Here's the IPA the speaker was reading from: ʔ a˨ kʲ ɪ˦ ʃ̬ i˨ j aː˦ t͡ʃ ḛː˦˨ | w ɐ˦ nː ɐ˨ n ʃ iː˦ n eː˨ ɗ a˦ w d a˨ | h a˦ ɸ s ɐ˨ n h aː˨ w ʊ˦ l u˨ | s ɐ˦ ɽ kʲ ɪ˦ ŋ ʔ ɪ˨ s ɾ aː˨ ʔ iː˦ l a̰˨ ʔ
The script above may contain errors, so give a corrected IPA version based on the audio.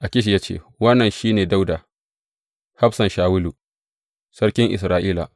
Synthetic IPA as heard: ʔ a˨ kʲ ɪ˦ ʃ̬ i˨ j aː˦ t͡ʃ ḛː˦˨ | w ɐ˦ nː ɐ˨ n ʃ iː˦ n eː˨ d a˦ w d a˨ | h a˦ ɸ s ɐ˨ n ʃ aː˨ w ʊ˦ l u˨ | s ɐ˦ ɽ kʲ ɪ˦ ŋ ʔ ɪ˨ s ɾ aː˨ ʔ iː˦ l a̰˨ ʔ